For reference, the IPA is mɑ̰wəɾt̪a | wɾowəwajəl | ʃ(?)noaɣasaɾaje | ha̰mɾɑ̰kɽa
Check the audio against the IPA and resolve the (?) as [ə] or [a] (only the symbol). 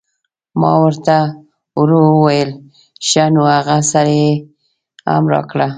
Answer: a